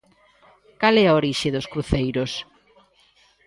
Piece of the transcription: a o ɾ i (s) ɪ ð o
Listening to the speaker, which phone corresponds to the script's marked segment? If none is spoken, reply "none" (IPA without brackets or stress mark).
ʃ